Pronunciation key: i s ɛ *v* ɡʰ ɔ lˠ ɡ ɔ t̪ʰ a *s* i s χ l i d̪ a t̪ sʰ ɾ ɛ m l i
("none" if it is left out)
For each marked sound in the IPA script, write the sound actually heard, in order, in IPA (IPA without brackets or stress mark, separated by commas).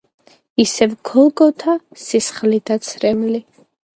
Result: v, s